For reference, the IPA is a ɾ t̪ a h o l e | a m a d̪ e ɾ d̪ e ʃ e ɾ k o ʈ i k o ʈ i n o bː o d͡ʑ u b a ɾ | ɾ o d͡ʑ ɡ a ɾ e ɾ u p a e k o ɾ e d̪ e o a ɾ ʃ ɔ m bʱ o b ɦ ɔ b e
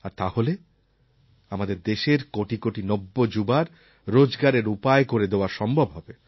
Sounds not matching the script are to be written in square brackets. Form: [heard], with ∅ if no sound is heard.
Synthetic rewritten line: a ɾ t̪ a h o l e | a m a d̪ e ɾ d̪ e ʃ e ɾ k o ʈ i k o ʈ i n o bː o d͡ʑ u b a ɾ | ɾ o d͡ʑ ɡ a ɾ e ɾ u p a e k o ɾ e d̪ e o a ɾ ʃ ɔ m bʱ o b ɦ ɔ b e